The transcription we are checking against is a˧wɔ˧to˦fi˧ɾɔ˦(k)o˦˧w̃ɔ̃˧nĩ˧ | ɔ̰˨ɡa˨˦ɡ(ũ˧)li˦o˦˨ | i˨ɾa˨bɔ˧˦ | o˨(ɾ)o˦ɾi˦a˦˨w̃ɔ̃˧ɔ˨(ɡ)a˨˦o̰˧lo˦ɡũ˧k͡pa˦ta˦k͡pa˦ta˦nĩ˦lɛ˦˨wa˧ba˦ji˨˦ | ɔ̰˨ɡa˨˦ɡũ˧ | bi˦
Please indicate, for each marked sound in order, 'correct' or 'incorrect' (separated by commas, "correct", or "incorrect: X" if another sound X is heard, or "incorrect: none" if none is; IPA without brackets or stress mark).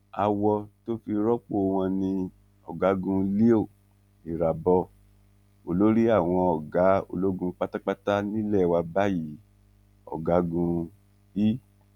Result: incorrect: k͡p, correct, incorrect: l, correct